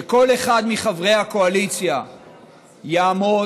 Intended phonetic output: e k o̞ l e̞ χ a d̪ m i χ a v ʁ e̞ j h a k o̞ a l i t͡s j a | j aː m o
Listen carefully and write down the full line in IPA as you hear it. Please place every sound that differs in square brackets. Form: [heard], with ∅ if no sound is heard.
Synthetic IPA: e k o̞ l e̞ χ a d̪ m i χ a v ʁ e̞ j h a k o̞ a l i t͡s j a | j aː m o